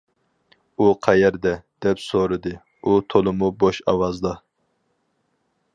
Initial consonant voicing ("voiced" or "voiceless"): voiceless